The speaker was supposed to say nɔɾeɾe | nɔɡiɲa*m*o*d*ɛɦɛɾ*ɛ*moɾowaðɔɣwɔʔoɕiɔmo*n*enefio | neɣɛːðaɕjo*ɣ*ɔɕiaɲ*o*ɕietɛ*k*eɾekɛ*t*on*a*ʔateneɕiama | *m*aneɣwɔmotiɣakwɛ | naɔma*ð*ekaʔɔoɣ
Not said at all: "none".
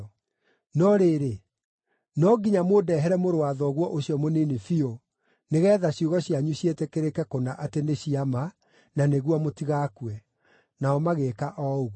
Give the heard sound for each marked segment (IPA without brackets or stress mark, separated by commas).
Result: m, d, ɛ, n, ɣ, u, k, k, a, n, ɣ